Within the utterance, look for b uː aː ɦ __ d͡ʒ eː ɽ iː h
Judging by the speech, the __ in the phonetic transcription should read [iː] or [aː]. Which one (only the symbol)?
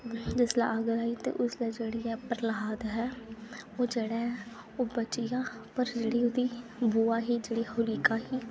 iː